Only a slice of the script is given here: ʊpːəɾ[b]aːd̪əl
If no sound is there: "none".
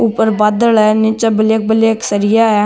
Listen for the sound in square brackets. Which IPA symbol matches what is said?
b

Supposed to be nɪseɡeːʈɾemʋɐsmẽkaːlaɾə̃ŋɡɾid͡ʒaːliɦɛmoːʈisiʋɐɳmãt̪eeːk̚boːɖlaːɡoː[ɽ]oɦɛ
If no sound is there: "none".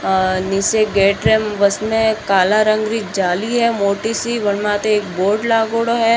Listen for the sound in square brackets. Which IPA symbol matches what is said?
ɽ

